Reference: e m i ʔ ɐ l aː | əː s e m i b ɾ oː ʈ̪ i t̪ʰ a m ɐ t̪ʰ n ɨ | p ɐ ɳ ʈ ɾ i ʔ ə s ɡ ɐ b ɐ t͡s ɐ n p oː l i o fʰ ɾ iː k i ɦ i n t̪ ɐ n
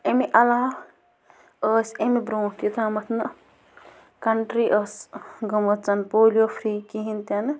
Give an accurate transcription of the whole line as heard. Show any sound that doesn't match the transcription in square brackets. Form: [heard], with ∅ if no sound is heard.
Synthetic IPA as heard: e m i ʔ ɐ l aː | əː s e m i b ɾ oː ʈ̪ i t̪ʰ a m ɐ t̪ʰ n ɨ | [k] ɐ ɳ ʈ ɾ i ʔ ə s ɡ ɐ [m] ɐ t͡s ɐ n p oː l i o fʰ ɾ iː k i ɦ i n t̪ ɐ n